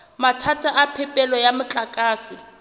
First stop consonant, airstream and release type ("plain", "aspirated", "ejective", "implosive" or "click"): aspirated